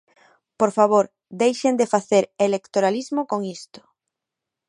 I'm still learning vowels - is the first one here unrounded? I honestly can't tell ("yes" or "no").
no